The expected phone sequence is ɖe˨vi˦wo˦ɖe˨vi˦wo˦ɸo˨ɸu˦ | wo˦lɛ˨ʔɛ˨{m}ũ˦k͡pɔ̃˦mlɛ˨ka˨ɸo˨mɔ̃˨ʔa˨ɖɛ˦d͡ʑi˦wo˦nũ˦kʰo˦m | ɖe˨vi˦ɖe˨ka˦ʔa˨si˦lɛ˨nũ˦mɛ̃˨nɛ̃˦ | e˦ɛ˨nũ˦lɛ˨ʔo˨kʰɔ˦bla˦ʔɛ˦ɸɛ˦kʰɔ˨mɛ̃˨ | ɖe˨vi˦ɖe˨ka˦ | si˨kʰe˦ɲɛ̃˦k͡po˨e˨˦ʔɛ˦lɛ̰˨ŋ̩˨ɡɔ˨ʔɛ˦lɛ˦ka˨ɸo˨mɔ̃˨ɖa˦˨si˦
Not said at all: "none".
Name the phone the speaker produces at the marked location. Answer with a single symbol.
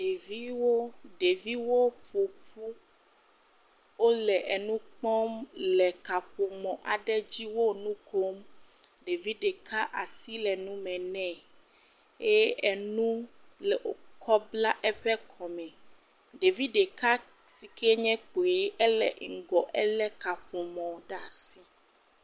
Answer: n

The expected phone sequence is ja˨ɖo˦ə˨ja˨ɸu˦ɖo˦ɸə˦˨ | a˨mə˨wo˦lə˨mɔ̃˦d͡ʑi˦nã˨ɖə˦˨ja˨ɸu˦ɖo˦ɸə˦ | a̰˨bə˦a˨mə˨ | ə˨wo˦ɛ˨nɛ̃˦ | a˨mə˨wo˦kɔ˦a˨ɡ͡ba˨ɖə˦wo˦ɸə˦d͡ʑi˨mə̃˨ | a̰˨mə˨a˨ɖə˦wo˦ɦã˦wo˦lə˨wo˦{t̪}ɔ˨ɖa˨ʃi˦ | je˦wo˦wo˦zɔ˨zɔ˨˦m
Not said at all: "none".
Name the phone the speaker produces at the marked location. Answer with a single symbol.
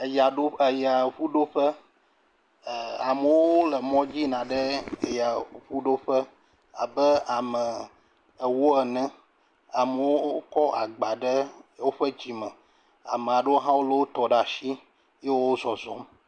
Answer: t̪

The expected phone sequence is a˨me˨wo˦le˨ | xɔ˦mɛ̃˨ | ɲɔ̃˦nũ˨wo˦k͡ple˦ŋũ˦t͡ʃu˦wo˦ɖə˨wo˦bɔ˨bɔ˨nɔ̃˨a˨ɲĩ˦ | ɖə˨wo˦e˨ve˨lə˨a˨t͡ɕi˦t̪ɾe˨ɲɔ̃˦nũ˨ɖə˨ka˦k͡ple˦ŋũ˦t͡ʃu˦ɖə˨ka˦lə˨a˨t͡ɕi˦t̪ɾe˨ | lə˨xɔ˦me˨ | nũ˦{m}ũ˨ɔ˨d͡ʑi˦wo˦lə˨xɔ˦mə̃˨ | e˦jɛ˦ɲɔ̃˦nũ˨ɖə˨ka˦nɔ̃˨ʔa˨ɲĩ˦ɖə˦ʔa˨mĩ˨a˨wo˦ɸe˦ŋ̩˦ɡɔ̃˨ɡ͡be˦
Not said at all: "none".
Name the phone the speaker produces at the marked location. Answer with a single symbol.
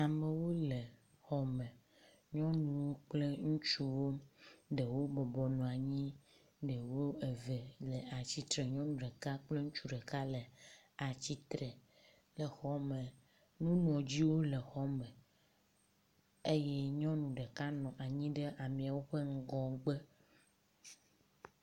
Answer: n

